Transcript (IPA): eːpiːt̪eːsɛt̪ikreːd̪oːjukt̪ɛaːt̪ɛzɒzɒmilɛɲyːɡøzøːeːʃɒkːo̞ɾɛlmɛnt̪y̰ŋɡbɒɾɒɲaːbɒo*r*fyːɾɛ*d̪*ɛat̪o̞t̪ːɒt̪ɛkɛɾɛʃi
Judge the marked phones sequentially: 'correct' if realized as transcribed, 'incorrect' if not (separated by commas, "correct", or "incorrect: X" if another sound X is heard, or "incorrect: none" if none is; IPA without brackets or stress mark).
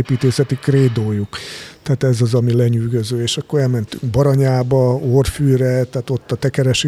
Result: correct, incorrect: t̪